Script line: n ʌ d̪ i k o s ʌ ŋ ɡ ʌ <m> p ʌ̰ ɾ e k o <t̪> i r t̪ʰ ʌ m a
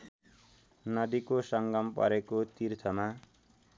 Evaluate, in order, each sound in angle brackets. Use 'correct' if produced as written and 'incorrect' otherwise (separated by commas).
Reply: correct, correct